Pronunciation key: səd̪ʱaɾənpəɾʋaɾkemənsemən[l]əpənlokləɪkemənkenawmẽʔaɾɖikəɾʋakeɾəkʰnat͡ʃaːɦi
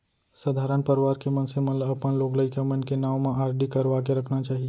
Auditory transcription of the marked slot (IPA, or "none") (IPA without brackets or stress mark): l